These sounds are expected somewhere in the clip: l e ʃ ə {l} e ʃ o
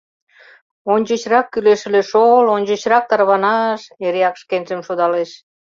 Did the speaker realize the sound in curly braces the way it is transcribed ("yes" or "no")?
yes